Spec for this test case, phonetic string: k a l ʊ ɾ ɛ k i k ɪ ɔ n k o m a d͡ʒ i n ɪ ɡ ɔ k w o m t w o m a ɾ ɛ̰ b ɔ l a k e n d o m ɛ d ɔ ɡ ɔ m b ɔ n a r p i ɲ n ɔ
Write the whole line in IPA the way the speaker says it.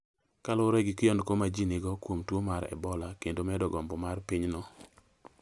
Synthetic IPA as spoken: k a l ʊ ɾ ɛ ɡ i k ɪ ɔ n k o m a d͡ʒ i n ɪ ɡ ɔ k w o m t w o m a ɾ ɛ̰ b ɔ l a k e n d o m ɛ d ɔ ɡ ɔ m b ɔ m a r p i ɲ n ɔ